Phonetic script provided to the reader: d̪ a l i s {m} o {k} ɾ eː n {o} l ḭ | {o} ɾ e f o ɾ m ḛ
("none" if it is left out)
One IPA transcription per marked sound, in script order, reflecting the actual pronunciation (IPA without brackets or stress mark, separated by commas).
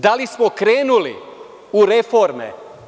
m, k, u, u